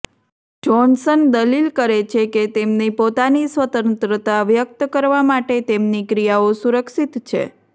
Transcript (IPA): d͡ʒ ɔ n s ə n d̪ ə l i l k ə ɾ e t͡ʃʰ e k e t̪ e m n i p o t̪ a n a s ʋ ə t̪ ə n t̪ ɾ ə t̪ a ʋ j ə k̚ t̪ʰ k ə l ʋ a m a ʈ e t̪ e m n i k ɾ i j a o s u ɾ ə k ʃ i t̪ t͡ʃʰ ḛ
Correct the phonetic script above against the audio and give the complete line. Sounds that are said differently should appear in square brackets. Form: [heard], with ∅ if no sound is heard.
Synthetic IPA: d͡ʒ ɔ n s ə n d̪ ə l i l k ə ɾ e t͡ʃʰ e k e t̪ e m n i p o t̪ a n [i] s ʋ ə t̪ ə n t̪ ɾ ə t̪ a ʋ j ə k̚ [t̪] k ə [ɾ] ʋ a m a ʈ e t̪ e m n i k ɾ i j a o s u ɾ ə k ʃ i t̪ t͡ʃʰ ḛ